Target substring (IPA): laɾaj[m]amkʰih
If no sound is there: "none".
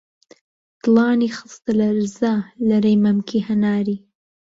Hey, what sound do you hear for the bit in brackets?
m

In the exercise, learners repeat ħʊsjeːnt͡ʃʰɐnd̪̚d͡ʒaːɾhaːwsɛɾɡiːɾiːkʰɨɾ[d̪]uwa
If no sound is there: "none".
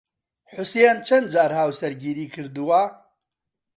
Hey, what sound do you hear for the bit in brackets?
d̪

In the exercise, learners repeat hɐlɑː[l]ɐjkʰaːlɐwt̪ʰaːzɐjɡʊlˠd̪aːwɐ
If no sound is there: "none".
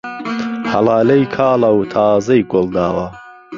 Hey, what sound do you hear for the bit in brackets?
l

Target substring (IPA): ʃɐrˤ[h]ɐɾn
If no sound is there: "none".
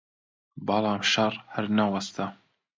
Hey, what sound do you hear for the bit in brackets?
h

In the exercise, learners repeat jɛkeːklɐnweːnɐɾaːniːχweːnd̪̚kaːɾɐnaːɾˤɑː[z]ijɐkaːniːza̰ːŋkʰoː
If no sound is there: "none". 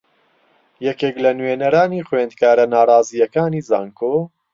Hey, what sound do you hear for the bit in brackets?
z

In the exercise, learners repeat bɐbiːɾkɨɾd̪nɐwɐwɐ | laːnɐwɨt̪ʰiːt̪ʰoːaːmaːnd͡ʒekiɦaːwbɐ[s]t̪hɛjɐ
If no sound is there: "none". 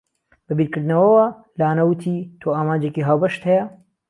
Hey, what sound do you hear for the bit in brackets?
ʃ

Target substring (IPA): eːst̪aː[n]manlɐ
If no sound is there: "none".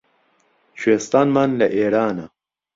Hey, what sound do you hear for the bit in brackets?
n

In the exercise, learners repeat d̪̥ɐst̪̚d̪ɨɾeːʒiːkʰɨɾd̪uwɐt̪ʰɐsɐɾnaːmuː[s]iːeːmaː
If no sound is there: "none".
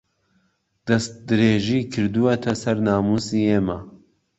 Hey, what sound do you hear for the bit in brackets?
s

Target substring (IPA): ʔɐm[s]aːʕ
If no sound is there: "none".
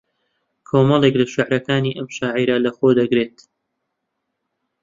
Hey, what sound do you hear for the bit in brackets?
ʃ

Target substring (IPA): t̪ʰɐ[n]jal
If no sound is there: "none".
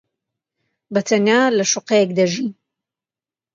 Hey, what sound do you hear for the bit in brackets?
n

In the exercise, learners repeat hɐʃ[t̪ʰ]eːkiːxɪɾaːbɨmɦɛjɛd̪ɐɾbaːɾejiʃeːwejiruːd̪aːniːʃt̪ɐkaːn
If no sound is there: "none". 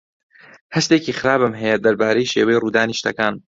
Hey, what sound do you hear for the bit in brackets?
t̪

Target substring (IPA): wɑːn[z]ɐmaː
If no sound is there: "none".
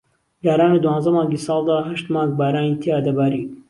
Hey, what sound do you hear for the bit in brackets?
z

